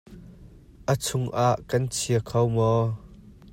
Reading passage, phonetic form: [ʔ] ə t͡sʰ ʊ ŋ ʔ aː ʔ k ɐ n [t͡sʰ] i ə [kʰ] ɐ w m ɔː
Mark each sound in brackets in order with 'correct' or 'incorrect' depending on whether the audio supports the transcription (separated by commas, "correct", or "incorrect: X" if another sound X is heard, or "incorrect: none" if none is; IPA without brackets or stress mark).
correct, correct, correct